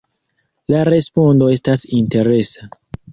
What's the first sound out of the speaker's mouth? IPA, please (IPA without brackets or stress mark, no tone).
l